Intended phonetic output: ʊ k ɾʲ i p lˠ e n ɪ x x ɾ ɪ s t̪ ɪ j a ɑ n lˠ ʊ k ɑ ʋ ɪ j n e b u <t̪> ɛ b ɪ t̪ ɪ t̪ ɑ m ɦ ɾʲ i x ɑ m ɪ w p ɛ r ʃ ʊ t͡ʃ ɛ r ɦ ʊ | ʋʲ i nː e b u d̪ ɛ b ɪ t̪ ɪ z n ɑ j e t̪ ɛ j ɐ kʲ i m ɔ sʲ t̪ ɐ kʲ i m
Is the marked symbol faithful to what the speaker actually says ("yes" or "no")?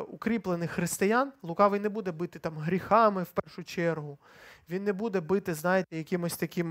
no